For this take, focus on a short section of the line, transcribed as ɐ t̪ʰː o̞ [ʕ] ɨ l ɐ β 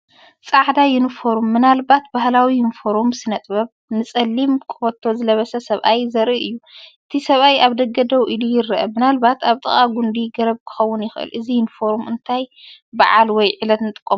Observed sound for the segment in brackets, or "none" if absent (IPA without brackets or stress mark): z